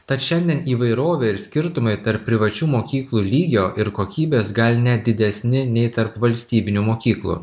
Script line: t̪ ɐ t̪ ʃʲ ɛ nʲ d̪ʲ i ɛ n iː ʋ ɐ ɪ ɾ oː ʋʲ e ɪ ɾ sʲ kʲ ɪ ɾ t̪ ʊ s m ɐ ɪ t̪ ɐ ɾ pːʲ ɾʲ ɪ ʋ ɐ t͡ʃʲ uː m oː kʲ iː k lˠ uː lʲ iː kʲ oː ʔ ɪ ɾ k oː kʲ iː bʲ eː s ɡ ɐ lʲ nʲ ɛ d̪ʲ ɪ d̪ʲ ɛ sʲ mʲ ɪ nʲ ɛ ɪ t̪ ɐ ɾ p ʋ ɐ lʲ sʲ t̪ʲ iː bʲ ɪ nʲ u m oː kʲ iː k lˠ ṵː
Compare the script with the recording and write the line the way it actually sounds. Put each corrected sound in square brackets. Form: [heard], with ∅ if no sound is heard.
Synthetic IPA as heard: t̪ ɐ t̪ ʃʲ ɛ nʲ d̪ʲ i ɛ n iː ʋ ɐ ɪ ɾ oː ʋʲ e ɪ ɾ sʲ kʲ ɪ ɾ t̪ ʊ [∅] m ɐ ɪ t̪ ɐ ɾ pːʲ ɾʲ ɪ ʋ ɐ t͡ʃʲ uː m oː kʲ iː k lˠ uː lʲ iː [ɡʲ] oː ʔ ɪ ɾ k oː kʲ iː bʲ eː s ɡ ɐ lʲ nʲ ɛ d̪ʲ ɪ d̪ʲ ɛ sʲ [nʲ] ɪ nʲ ɛ ɪ t̪ ɐ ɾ p ʋ ɐ lʲ sʲ t̪ʲ iː bʲ ɪ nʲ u m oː kʲ iː k lˠ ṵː